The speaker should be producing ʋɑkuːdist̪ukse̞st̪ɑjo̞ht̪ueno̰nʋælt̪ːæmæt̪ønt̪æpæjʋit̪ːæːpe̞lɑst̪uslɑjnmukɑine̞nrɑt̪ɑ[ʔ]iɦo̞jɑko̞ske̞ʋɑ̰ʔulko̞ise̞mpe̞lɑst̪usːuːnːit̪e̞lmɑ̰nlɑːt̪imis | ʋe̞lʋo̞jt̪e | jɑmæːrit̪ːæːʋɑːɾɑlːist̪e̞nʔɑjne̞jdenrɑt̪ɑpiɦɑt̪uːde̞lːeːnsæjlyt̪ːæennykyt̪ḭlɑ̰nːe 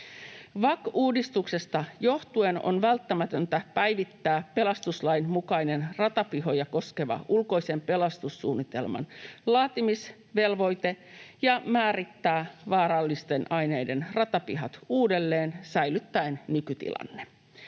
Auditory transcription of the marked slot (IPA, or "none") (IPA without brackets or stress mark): p